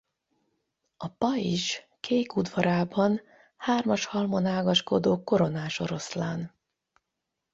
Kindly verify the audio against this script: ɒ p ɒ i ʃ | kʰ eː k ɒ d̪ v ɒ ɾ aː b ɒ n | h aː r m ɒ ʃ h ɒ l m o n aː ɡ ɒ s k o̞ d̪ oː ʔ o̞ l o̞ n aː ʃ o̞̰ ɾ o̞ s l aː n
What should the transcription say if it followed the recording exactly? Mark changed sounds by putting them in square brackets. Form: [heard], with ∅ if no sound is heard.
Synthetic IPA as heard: ɒ p ɒ i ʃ | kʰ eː k [u] d̪ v ɒ ɾ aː b ɒ n | h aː r m ɒ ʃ h ɒ l m o n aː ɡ ɒ [ʃ] k o̞ d̪ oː [k] o̞ [ɾ] o̞ n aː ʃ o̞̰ ɾ o̞ s l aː n